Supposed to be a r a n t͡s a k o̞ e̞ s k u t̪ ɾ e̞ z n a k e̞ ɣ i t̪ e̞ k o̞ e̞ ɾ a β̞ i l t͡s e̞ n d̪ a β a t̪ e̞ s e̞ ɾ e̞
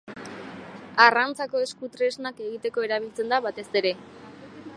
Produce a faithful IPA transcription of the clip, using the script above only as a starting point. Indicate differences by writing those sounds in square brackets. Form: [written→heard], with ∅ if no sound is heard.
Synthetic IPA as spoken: a r a n t͡s a k o̞ e̞ s k u t̪ ɾ e̞ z n a k e̞ ɣ i t̪ e̞ k o̞ e̞ ɾ a β̞ i l t͡s e̞ n d̪ a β a t̪ e̞ s e̞ ɾ e̞